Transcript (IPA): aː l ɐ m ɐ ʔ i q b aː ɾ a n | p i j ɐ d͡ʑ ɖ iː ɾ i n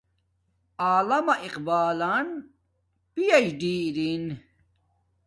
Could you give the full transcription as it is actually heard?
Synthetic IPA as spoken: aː l ɐ m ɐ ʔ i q b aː l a n | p i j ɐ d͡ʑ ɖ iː ɾ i n